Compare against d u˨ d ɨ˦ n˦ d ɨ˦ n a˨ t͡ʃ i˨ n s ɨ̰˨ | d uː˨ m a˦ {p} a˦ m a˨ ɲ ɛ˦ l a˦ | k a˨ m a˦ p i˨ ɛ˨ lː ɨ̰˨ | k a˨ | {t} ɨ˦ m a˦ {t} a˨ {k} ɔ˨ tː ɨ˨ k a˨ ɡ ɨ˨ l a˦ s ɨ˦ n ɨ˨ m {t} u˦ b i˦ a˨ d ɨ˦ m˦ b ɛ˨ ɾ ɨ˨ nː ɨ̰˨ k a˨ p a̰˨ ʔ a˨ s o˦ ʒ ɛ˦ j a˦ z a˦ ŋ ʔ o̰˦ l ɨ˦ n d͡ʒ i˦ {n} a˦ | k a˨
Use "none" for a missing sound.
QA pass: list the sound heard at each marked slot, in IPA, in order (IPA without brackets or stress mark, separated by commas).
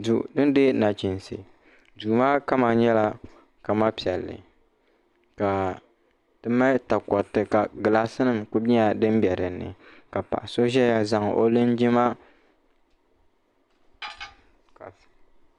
k, t, t, k, k, m